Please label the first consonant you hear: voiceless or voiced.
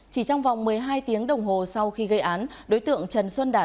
voiceless